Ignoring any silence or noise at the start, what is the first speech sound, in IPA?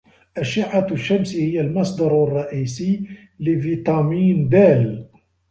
ʔ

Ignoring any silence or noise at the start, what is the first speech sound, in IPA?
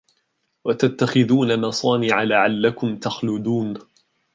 w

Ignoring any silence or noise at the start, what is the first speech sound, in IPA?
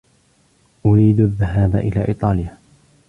ʔ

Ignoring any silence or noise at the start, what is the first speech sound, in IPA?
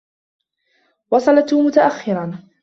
w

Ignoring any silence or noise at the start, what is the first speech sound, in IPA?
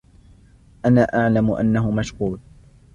ʔ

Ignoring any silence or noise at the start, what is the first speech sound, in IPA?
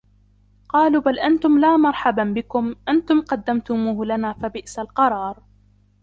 q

